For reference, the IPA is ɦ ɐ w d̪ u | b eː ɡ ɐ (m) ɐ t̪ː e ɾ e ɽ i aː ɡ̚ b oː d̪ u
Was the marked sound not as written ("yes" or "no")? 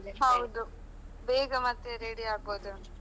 no